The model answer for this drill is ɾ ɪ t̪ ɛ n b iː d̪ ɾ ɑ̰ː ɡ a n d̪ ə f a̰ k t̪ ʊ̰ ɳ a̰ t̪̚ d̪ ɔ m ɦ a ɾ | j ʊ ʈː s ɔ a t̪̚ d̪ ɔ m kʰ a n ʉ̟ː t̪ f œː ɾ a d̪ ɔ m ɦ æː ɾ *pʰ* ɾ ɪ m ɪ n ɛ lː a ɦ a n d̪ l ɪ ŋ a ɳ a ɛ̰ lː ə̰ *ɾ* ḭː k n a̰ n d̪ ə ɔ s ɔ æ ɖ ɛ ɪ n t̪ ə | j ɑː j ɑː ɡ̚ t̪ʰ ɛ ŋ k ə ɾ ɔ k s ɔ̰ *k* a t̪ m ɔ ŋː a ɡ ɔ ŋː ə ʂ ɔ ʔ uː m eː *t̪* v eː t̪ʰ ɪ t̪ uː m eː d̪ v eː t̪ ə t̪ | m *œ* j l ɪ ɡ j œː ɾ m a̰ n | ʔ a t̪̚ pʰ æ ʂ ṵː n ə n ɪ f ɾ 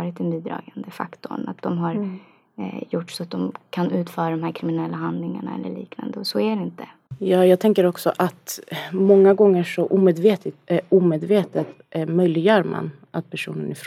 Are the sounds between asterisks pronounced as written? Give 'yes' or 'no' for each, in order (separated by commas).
no, no, no, no, yes